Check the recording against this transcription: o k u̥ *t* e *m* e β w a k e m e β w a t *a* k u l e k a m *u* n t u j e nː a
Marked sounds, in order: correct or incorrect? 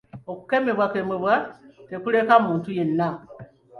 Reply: incorrect: k, correct, incorrect: e, incorrect: uː

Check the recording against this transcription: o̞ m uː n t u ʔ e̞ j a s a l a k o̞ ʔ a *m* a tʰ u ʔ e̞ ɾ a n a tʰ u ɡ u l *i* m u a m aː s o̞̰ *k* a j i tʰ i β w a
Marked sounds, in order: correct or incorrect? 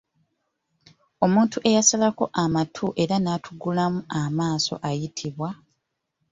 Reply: correct, incorrect: a, incorrect: ʔ

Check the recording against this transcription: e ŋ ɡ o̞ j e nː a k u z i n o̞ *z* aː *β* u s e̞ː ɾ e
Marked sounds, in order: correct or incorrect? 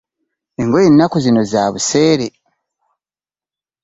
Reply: correct, correct

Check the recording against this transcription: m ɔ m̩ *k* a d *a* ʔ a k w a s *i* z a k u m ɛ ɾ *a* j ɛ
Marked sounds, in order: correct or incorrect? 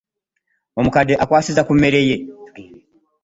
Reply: correct, incorrect: ɛ, correct, incorrect: ɛ

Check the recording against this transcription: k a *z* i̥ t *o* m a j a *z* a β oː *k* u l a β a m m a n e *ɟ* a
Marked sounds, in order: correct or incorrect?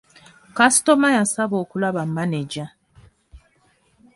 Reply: incorrect: s, correct, incorrect: s, correct, correct

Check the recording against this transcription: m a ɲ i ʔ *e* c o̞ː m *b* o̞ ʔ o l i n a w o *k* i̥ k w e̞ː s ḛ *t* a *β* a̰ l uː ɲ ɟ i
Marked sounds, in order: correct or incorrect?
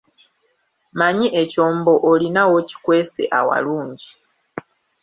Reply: correct, correct, incorrect: c, incorrect: ʔ, incorrect: w

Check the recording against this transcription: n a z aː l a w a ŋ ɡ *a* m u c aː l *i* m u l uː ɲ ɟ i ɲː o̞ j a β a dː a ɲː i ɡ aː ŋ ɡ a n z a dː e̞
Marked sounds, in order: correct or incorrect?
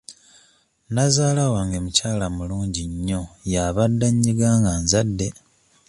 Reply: incorrect: e, incorrect: a

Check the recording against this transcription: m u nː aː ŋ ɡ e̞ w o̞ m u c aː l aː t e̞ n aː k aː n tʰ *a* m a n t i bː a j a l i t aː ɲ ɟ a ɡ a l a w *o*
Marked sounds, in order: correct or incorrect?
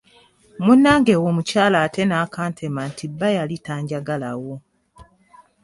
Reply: incorrect: e, correct

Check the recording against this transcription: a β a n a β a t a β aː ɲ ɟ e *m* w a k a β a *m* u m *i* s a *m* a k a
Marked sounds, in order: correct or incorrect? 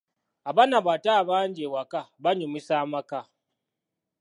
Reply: incorrect: none, incorrect: ɲ, correct, correct

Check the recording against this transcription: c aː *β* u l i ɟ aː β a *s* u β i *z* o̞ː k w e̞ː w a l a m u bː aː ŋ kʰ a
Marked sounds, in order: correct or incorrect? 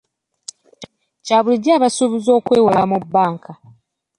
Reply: correct, correct, correct

